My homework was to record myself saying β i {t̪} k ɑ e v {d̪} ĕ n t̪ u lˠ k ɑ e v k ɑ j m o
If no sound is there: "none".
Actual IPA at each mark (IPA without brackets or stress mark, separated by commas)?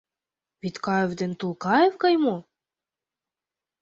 t̪, d̪